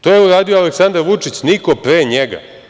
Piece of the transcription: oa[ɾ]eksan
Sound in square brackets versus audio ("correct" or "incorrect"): incorrect